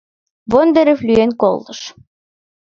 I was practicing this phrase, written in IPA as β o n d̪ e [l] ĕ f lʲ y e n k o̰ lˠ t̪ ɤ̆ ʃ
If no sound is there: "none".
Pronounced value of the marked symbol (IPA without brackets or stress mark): ɾ